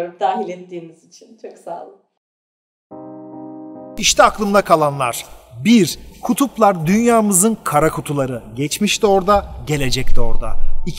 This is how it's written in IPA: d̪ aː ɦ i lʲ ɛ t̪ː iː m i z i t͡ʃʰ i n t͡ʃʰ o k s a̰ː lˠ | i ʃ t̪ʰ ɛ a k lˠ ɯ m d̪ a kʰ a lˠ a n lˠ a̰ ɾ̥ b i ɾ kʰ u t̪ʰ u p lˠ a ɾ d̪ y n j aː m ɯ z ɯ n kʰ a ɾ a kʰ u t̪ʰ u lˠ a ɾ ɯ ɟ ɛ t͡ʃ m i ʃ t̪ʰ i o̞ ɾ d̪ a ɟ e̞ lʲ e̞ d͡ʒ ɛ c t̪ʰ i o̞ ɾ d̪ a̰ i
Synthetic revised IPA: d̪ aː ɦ i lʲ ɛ t̪ː iː m i z i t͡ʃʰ i n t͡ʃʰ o k s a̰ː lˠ | i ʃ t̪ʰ ɛ a k lˠ ɯ m d̪ a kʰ a lˠ a n lˠ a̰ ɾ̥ b i ɾ kʰ u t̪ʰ u p lˠ a ɾ d̪ y n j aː m ɯ z ɯ n kʰ a ɾ a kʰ u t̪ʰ u lˠ a ɾ ɯ ɟ ɛ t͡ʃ m i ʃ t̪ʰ i o̞ ɾ d̪ a ɟ e̞ lʲ e̞ d͡ʒ ɛ c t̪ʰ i o̞ ɾ d̪ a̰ i

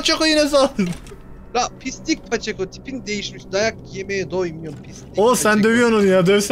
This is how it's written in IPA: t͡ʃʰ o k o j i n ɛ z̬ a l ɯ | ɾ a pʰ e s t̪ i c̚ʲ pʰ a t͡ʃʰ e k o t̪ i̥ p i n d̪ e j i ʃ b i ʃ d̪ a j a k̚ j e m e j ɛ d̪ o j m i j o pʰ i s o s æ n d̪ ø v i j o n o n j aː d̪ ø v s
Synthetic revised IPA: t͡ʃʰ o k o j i n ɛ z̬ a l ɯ | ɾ a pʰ i s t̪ i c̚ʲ pʰ a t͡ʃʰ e k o t̪ʰ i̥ p i n d̪ e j i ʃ m i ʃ d̪ a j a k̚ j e m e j ɛ d̪ o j m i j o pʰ i s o s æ n d̪ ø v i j o n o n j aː d̪ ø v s

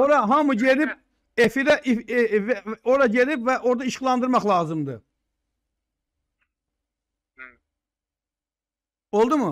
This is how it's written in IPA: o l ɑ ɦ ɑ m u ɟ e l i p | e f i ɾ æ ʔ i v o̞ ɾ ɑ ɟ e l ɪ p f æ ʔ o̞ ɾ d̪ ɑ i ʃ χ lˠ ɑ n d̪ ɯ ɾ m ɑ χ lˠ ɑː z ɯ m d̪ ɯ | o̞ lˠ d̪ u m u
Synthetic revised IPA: o ɾ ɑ ɦ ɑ m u ɟ e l i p | e f i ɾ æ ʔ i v o̞ ɾ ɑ ɟ e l i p v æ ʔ o̞ ɾ d̪ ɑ i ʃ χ lˠ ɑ n d̪ ɯ ɾ m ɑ χ lˠ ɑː z ɯ m d̪ ɯ | o̞ lˠ d̪ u m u

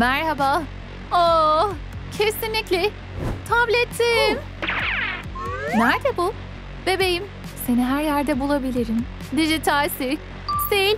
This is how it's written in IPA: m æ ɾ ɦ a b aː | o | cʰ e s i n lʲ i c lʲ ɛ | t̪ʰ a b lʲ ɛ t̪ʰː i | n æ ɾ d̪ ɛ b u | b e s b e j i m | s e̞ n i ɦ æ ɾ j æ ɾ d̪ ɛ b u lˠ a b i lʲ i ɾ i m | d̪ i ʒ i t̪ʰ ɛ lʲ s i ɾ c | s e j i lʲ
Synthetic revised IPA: m æ ɾ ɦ a b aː | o | cʰ e s i n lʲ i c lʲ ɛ | t̪ʰ a b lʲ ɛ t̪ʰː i | n æ ɾ d̪ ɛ b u | b e b e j i m | s e̞ n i ɦ æ ɾ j æ ɾ d̪ ɛ b u lˠ a b i lʲ i ɾ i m | d̪ i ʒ i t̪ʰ a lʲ s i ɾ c | s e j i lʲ

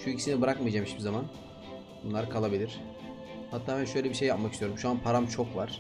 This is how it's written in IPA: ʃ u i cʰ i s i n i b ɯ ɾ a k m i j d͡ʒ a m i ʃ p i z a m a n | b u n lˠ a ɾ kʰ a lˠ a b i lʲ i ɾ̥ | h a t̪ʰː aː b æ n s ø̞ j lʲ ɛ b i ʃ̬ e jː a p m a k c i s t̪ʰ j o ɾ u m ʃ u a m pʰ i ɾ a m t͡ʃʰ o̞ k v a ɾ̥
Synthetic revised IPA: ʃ u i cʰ i s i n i b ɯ ɾ a k m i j d͡ʒ a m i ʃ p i z a m a n | b u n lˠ a ɾ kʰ a lˠ a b i lʲ i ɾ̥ | h a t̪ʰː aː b æ n ʃ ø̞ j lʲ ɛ b i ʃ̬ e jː a p m a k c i s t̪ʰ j o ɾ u m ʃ u a n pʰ a ɾ a m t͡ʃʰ o̞ k v a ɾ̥

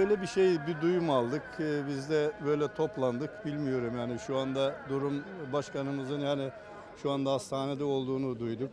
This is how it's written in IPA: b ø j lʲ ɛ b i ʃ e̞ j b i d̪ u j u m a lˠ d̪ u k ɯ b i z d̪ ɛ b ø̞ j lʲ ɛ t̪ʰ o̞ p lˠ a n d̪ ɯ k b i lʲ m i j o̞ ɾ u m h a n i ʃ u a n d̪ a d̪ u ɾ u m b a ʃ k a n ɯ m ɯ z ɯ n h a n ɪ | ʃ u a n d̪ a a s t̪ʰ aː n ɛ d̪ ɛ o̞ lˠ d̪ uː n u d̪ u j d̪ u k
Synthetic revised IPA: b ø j lʲ ɛ b i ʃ e̞ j b i d̪ u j u m a lˠ d̪ ɯ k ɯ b i z d̪ ɛ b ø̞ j lʲ ɛ t̪ʰ o̞ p lˠ a n d̪ ɯ k b i lʲ m i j o̞ ɾ u m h a n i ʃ u a n d̪ a d̪ u ɾ u m b a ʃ k a n ɯ m ɯ z ɯ n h a n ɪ | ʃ u a n d̪ a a s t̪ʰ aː n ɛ d̪ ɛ o̞ lˠ d̪ uː n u d̪ u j d̪ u k

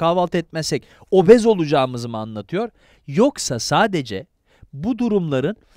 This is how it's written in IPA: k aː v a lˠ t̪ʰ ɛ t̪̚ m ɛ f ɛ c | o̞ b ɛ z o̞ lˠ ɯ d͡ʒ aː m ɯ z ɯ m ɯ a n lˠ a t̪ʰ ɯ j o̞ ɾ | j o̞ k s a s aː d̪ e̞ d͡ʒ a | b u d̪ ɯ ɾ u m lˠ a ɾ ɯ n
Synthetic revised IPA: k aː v a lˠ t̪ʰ ɛ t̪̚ m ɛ s ɛ c | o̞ b ɛ z o̞ lˠ u d͡ʒ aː m ɯ z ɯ m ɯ a n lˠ a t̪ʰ ɯ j o̞ ɾ | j o̞ k s a s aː d̪ e̞ d͡ʒ ɛ | b u d̪ u ɾ u m lˠ a ɾ ɯ n

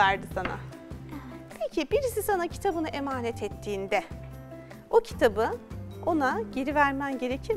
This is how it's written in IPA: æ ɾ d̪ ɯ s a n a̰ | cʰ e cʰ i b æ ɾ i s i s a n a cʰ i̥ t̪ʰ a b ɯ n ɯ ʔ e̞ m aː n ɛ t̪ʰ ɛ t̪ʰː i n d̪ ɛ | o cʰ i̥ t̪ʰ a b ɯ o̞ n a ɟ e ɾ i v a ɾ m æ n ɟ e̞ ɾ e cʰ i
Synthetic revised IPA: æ ɾ d̪ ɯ s a n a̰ | pʰ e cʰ i b i ɾ i s i s a n a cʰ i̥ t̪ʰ a b ɯ n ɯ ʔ e̞ m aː n ɛ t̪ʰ ɛ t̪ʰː iː n d̪ ɛ | o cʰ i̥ t̪ʰ a b ɯ o̞ n a ɟ e ɾ i v æ ɾ m æ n ɟ e̞ ɾ e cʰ i

